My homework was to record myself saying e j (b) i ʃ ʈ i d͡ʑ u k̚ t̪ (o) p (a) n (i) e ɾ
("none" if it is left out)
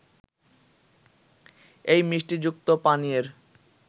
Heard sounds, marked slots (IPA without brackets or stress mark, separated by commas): m, o, a, i